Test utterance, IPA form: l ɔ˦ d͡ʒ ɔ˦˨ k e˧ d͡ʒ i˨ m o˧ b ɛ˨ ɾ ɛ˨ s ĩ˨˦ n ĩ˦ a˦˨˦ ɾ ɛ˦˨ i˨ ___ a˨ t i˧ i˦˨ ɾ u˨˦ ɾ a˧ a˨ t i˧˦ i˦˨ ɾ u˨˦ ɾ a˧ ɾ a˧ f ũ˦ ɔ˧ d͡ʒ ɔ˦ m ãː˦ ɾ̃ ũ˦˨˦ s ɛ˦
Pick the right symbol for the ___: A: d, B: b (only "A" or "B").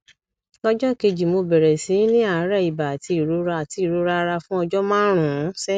B